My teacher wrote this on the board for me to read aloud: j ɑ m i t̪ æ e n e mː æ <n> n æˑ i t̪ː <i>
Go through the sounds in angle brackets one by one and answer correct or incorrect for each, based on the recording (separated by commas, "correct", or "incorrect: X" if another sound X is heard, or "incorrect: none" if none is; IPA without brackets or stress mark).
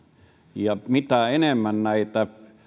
correct, incorrect: æ